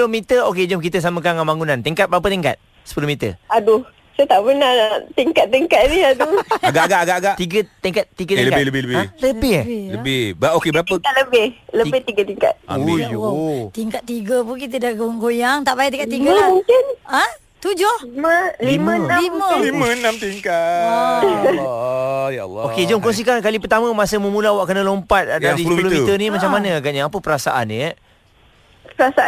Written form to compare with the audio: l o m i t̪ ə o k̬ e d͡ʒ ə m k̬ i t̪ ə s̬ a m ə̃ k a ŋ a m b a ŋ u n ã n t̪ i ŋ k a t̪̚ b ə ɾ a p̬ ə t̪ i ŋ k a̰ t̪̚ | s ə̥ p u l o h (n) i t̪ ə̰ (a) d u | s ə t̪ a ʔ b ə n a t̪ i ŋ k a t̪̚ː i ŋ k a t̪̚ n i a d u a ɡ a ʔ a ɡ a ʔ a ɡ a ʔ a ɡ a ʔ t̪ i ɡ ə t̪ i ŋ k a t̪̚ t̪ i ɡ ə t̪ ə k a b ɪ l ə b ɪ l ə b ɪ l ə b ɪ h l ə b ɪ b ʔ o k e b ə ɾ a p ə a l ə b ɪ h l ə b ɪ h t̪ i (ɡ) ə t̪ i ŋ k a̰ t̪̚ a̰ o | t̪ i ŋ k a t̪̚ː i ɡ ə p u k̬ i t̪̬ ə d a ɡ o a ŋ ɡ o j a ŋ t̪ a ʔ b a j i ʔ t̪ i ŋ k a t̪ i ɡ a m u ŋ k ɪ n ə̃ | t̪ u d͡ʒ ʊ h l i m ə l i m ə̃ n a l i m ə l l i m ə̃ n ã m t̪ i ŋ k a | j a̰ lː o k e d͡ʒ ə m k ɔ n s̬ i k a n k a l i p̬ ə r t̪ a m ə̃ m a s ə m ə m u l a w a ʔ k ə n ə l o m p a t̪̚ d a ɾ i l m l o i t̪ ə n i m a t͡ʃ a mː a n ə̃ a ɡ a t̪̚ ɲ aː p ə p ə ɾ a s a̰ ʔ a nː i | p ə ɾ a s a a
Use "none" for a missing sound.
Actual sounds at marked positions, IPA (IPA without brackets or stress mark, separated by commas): m, a, ɡ